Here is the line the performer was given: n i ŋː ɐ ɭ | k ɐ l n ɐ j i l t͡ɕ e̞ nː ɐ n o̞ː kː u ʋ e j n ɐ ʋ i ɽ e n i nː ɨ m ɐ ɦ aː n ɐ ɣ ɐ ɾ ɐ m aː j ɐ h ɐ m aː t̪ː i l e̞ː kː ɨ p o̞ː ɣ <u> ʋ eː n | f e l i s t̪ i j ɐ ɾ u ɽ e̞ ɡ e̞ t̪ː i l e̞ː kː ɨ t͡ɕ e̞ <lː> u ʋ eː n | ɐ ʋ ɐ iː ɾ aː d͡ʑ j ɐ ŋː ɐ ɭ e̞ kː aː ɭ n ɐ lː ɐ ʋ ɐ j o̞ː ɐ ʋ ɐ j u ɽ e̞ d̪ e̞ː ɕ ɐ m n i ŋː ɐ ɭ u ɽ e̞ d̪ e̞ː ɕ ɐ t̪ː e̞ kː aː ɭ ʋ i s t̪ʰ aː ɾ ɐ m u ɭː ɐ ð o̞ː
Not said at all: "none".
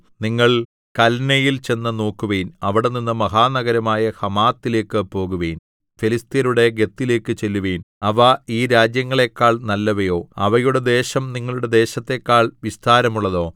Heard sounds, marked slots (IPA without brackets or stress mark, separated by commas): u, lː